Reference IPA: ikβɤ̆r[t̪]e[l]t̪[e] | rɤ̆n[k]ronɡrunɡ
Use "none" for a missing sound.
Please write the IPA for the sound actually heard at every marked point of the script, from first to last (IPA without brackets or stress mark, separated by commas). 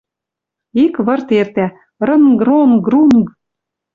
t̪, r, æ, ɡ